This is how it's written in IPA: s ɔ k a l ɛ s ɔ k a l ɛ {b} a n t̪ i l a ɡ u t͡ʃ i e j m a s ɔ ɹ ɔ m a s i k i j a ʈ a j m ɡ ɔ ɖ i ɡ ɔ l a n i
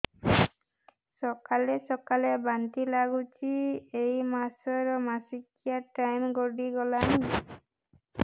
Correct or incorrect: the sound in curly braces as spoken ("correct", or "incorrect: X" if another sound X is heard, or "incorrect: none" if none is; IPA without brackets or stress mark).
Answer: correct